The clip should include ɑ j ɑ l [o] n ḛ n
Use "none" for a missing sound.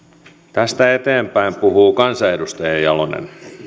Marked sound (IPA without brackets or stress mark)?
o